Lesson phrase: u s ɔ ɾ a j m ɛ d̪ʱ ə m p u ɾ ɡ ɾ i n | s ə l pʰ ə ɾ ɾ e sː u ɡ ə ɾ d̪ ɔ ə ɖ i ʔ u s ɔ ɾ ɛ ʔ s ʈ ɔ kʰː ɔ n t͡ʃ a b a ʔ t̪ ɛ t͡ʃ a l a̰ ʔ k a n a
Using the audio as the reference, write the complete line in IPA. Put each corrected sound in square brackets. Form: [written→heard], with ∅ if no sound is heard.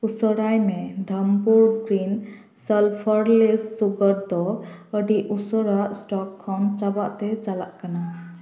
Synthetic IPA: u s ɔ ɾ a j m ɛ d̪ʱ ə m p u ɾ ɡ ɾ i n | s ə l pʰ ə ɾ [ɾ→l] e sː u ɡ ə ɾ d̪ ɔ ə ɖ i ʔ u s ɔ ɾ [ɛ→a] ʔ s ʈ ɔ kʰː ɔ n t͡ʃ a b a ʔ t̪ ɛ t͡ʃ a l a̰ ʔ k a n a